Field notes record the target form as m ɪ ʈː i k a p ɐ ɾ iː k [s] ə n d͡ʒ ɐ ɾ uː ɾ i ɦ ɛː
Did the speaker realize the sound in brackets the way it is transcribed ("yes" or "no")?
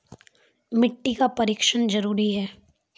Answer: no